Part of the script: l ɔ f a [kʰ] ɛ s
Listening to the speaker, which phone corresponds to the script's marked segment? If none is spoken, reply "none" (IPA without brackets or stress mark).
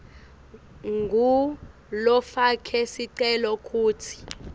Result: kʰ